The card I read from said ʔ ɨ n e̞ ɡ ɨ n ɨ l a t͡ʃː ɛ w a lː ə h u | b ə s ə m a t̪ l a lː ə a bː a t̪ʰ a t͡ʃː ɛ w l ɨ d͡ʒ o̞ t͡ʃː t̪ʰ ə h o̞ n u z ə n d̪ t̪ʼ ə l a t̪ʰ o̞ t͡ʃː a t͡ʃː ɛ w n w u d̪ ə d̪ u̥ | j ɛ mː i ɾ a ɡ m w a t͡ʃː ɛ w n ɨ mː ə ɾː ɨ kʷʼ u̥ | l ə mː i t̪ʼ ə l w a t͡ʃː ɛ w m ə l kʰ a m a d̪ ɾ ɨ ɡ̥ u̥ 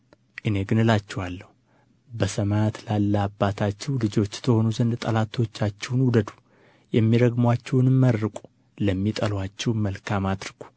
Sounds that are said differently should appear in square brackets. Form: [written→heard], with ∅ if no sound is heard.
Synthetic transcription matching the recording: ʔ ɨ n e̞ ɡ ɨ n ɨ l a t͡ʃː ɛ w a lː ə h u | b ə s ə m a t̪ l a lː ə a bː a t̪ʰ a t͡ʃː ɛ w l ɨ d͡ʒ o̞ t͡ʃː t̪ʰ ə h o̞ n u z ə n d̪ t̪ʼ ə l a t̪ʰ o̞ t͡ʃː a t͡ʃː ɛ w n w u d̪ ə d̪ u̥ | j ɛ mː i ɾ [a→ə] ɡ m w a t͡ʃː ɛ w n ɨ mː ə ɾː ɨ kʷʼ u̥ | l ə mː i t̪ʼ ə l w a t͡ʃː ɛ w m ə l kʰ a m a d̪ ɾ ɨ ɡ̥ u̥

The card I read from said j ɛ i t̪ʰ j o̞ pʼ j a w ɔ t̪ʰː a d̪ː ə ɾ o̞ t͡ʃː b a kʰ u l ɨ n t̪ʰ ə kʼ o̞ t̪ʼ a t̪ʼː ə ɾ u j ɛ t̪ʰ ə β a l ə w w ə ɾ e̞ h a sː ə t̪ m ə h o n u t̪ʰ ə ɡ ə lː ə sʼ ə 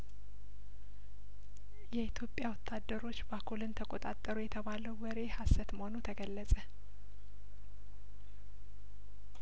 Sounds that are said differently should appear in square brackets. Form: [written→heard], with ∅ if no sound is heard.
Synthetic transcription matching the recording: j ɛ i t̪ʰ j o̞ pʼ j a w ɔ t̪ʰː a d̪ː ə ɾ o̞ t͡ʃː b a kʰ u l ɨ n t̪ʰ ə kʼ o̞ t̪ʼ a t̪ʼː ə ɾ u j ɛ t̪ʰ ə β a l ə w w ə ɾ e̞ h a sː ə t̪ m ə h o n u t̪ʰ ə ɡ ə lː ə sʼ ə

